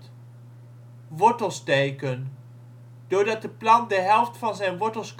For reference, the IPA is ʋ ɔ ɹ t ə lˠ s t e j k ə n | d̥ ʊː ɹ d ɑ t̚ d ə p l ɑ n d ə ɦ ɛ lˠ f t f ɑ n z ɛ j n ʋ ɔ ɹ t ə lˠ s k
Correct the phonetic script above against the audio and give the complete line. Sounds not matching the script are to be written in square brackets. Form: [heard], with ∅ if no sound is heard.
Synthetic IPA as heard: ʋ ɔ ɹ t ə lˠ s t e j k ə n | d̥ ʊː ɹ d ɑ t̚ d ə p l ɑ n d ə ɦ ɛ lˠ f t f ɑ n z ɛ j n ʋ ɔ ɹ t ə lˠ s k